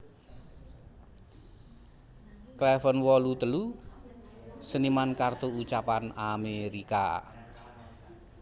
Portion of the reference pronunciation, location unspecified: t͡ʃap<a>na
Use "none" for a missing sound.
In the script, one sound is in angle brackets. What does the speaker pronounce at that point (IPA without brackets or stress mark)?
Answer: a